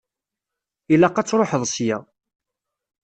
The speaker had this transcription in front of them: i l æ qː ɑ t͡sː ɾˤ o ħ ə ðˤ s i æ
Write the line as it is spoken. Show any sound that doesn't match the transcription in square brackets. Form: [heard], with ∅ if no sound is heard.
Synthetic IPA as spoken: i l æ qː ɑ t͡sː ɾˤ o ħ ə ðˤ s [j] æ